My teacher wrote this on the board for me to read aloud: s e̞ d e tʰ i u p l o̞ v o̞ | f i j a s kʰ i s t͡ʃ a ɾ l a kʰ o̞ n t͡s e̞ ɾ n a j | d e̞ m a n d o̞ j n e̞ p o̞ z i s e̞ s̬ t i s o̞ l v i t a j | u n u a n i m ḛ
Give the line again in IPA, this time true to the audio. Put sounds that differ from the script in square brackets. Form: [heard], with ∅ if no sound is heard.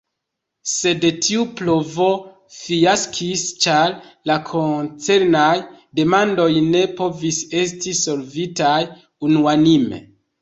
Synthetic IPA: s e̞ d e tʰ i u p l o̞ v o̞ | f i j a s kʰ i s t͡ʃ a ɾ l a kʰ o̞ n t͡s e̞ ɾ n a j | d e̞ m a n d o̞ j n e̞ p o̞ [v] i s e̞ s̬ t i s o̞ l v i t a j | u n u a n i m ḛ

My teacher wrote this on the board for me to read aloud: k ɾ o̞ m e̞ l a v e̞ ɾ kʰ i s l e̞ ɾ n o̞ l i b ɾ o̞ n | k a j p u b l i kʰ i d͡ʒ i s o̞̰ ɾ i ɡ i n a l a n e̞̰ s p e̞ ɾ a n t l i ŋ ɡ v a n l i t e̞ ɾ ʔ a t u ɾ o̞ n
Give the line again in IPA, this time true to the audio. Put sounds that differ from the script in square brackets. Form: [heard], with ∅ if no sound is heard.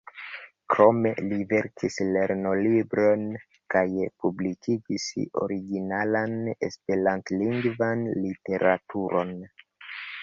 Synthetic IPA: k ɾ o̞ m e̞ l [i] v e̞ ɾ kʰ i s l e̞ ɾ n o̞ l i b ɾ o̞ n | k a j p u b l i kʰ i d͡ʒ i s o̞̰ ɾ i ɡ i n a l a n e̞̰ s p e̞ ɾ a n t l i ŋ ɡ v a n l i t e̞ ɾ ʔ a t u ɾ o̞ n

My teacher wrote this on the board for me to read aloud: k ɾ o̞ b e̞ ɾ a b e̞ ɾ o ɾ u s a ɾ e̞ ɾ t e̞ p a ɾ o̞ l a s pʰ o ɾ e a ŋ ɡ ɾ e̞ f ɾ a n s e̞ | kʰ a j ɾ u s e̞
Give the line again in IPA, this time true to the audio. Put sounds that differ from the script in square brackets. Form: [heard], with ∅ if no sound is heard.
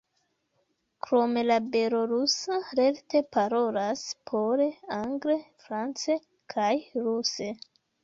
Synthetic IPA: k ɾ o̞ [m] e̞ [l] a b e̞ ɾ o ɾ u s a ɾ e̞ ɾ t e̞ p a ɾ o̞ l a s pʰ o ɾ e a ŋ ɡ ɾ e̞ f ɾ a n [t͡s] e̞ | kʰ a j ɾ u s e̞

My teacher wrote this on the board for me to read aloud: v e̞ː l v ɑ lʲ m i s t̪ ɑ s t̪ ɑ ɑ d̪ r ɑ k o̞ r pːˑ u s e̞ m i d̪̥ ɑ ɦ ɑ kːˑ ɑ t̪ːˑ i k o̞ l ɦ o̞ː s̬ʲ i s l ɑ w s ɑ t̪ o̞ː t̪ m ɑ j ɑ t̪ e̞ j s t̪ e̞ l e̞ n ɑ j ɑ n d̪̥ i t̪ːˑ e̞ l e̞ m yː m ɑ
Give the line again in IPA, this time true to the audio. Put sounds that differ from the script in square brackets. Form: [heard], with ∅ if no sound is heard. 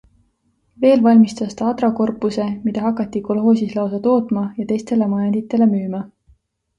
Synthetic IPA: v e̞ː l v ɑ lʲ m i s t̪ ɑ s t̪ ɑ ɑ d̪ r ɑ k o̞ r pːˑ u s e̞ m i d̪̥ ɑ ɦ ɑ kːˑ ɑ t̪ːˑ i k o̞ l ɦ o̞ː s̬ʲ i s l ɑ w s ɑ t̪ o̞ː t̪ m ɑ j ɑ t̪ e̞ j s t̪ e̞ l e̞ [m] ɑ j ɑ n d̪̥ i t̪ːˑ e̞ l e̞ m yː m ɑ

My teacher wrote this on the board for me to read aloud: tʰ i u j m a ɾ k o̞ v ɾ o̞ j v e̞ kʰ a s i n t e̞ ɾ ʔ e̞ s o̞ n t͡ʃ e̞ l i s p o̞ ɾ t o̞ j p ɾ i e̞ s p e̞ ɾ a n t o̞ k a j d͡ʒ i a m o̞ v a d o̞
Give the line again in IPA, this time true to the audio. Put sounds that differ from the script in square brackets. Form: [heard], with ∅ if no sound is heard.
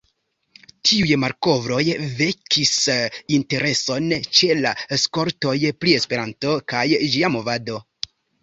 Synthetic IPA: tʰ i u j m a ɾ k o̞ v ɾ o̞ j v e̞ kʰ [i] s i n t e̞ ɾ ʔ e̞ s o̞ n t͡ʃ e̞ l [a] s [k] o̞ ɾ t o̞ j p ɾ i e̞ s p e̞ ɾ a n t o̞ k a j d͡ʒ i a m o̞ v a d o̞

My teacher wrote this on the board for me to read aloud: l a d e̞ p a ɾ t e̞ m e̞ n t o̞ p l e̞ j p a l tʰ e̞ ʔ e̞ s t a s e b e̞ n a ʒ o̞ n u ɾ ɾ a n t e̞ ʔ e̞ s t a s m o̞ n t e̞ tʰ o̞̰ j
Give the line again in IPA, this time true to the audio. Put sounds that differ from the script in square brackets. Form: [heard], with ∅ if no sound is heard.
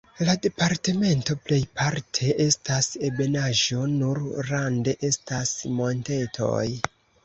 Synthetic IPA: l a d e̞ p a ɾ t e̞ m e̞ n t o̞ p l e̞ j p a [ɾ] tʰ e̞ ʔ e̞ s t a s e b e̞ n a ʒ o̞ n u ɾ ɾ a n [d] e̞ ʔ e̞ s t a s m o̞ n t e̞ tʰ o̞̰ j

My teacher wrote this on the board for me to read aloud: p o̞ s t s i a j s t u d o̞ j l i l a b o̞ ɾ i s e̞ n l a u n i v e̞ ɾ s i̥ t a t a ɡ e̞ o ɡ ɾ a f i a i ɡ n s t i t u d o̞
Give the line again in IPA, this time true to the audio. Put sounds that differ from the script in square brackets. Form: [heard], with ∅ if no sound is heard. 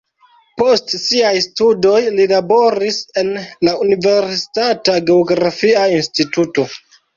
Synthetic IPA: p o̞ s t s i a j s t u d o̞ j l i l a b o̞ ɾ i s e̞ n l a u n i v e̞ ɾ s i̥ t a t a ɡ e̞ o ɡ ɾ a f i a i [∅] n s t i t u [t] o̞

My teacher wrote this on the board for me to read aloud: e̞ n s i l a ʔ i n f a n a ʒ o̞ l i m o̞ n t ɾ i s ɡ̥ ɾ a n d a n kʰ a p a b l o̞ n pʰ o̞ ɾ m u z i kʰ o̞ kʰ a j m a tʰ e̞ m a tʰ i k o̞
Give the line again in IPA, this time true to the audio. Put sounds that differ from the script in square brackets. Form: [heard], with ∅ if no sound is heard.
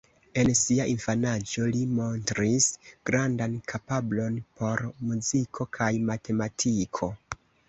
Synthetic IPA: e̞ n s i [∅] a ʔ i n f a n a [d͡ʒ] o̞ l i m o̞ n t ɾ i s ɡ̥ ɾ a n d a n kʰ a p a b l o̞ n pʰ o̞ ɾ m u z i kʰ o̞ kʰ a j m a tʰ e̞ m a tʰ i [kʰ] o̞

